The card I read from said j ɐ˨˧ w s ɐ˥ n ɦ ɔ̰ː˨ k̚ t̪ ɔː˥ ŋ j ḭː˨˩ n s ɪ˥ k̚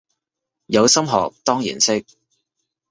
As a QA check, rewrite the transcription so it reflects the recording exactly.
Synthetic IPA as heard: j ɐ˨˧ w s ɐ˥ m ɦ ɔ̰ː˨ k̚ t̪ ɔː˥ ŋ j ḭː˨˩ n s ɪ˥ k̚